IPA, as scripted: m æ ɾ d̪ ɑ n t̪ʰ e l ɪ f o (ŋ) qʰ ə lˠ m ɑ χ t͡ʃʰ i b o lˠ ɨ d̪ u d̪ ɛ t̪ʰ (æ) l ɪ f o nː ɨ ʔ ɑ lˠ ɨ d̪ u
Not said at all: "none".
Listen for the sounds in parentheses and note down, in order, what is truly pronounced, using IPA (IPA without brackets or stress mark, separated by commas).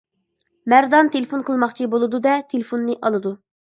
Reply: n, e